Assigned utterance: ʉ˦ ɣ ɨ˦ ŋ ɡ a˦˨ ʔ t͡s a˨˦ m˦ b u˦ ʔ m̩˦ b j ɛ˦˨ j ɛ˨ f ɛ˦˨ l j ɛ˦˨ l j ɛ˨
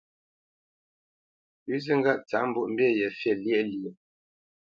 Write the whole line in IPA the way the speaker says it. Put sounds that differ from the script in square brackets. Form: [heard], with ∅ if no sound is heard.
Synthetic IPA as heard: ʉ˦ [z] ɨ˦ ŋ ɡ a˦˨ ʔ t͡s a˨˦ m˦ b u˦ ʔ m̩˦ b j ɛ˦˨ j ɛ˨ f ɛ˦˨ l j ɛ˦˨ l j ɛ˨